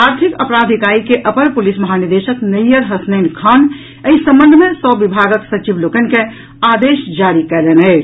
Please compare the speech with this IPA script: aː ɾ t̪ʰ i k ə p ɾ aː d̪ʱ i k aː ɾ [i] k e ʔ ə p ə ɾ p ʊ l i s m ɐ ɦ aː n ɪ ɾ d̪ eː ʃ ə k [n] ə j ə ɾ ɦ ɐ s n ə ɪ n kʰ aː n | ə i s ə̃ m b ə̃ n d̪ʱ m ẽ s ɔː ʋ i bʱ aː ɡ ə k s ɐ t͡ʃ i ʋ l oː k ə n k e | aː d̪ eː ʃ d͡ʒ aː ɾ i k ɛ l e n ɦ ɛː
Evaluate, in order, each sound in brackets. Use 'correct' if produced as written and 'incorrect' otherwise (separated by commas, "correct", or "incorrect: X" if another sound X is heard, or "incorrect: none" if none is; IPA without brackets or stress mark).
correct, correct